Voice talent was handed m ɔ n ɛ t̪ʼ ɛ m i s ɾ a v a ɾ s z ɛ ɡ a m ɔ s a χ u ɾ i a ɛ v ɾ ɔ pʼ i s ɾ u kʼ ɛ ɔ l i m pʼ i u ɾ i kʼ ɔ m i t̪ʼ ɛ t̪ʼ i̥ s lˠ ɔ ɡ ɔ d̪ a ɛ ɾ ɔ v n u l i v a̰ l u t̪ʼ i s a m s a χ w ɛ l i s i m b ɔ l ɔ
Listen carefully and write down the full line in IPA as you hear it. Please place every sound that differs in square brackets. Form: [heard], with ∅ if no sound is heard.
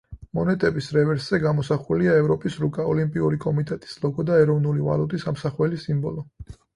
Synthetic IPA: m ɔ n ɛ t̪ʼ ɛ [b] i s ɾ [ɛ] v [ɛ] ɾ s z ɛ ɡ a m ɔ s a χ u [l] i a ɛ v ɾ ɔ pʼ i s ɾ u kʼ [a] ɔ l i m pʼ i u ɾ i kʼ ɔ m i t̪ʼ ɛ t̪ʼ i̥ s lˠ ɔ ɡ ɔ d̪ a ɛ ɾ ɔ v n u l i v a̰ l u t̪ʼ i s a m s a χ w ɛ l i s i m b ɔ l ɔ